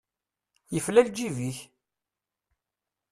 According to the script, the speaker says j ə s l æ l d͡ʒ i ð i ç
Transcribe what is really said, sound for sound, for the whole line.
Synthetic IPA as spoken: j ə f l æ l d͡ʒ i v i ç